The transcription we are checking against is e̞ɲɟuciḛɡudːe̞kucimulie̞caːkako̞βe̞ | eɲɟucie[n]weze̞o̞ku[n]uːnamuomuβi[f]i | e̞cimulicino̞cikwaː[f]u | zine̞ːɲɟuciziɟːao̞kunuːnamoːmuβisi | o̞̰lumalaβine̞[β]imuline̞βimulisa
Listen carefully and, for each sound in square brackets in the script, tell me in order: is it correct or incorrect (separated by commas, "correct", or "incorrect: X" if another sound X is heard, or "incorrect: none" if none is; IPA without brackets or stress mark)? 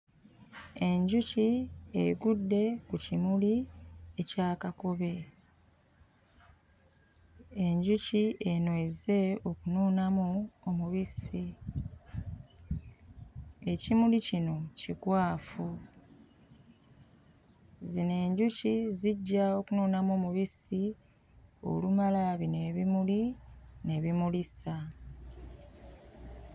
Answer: correct, correct, incorrect: s, correct, correct